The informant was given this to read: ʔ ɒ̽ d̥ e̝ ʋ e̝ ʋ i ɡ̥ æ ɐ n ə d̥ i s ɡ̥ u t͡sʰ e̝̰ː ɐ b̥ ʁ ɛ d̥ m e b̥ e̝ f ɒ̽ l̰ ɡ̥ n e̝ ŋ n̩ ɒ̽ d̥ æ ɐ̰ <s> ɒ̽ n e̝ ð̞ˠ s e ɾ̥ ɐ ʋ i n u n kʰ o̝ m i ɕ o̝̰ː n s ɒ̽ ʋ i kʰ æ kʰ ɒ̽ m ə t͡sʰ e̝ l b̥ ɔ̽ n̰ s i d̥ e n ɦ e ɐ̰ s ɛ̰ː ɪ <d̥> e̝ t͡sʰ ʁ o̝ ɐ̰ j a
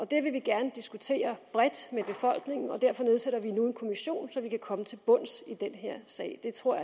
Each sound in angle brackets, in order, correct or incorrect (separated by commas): incorrect, correct